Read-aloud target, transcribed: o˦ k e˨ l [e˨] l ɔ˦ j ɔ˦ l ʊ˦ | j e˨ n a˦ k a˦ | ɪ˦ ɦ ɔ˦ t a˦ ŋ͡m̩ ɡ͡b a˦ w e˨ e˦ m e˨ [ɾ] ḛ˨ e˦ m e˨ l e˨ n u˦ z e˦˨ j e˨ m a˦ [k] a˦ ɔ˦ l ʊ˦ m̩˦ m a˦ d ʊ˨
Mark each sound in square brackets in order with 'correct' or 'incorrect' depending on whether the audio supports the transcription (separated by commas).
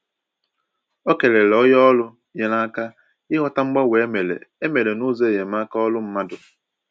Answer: correct, incorrect, correct